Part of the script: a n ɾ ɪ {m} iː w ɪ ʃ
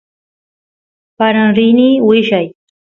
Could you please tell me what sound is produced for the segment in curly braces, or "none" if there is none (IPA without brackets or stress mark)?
n